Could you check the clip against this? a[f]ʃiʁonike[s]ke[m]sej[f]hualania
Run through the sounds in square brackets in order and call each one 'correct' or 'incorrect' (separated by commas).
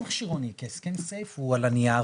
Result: incorrect, correct, incorrect, correct